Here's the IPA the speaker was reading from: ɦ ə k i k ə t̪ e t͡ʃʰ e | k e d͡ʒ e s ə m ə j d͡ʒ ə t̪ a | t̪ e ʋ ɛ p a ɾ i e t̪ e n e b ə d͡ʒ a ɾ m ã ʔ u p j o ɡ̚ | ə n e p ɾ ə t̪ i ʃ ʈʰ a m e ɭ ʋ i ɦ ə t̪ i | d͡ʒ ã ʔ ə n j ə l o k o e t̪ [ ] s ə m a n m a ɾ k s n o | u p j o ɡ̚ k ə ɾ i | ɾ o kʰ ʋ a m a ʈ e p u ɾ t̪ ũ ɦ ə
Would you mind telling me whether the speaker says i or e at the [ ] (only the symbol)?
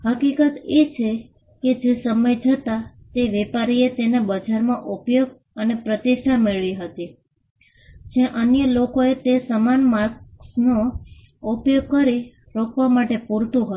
e